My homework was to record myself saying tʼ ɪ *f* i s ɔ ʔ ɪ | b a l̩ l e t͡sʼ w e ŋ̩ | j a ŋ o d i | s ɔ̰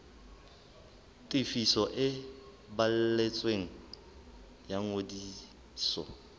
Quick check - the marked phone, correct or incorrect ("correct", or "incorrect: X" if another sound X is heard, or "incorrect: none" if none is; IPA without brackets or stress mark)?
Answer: correct